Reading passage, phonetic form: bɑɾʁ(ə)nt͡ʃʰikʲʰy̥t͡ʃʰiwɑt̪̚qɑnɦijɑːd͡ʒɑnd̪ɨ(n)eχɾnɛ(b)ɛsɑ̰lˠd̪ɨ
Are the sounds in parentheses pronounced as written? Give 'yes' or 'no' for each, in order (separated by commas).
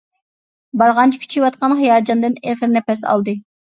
no, yes, no